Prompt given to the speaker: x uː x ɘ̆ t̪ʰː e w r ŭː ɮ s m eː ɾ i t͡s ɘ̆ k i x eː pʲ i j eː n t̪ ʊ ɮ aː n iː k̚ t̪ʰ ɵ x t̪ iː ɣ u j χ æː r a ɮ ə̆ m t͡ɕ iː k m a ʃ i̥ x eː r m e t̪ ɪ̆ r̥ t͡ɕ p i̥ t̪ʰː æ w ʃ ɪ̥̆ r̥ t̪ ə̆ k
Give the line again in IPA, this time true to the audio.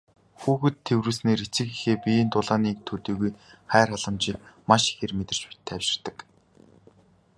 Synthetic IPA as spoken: x uː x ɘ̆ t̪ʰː e w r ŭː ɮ s n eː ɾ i t͡s ɘ̆ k i x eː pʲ i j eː n t̪ ʊ ɮ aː n iː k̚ t̪ʰ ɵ t̪ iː ɣ u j χ æː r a ɮ ə̆ m t͡ɕ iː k m a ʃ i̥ x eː r m e t̪ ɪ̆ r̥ t͡ɕ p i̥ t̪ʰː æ w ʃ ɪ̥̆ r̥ t̪ ə̆ k